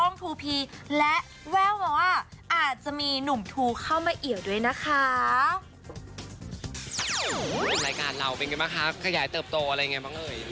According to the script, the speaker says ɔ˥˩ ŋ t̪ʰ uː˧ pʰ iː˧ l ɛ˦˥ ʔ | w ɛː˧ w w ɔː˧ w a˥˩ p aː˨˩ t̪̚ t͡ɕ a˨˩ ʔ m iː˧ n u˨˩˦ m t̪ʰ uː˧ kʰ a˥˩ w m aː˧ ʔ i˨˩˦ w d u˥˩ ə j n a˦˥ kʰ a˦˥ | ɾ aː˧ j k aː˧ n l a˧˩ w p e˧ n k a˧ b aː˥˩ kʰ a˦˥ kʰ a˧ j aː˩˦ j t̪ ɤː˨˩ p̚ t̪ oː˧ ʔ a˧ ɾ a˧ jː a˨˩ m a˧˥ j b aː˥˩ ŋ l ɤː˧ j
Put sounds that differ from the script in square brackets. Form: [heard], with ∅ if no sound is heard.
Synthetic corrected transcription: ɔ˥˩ ŋ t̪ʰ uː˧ pʰ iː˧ l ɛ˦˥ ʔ | w [ɛː˥˩] w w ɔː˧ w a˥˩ [ʔ] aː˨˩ t̪̚ t͡ɕ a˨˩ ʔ m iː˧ n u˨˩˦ m t̪ʰ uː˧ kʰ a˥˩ w m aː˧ ʔ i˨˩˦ w d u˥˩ ə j n a˦˥ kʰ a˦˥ | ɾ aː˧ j k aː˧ n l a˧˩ w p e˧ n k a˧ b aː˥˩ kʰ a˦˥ kʰ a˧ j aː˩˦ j t̪ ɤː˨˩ p̚ t̪ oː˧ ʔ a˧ ɾ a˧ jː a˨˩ [ŋ] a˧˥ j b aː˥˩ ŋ l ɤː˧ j